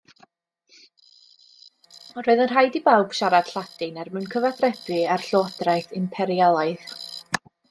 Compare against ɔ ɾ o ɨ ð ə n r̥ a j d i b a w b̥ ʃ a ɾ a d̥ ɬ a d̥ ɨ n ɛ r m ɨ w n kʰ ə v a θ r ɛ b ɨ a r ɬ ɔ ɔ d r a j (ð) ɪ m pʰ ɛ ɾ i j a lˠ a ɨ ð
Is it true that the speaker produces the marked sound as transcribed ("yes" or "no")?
no